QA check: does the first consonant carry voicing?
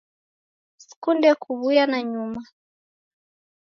no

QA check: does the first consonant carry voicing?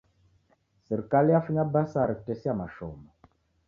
no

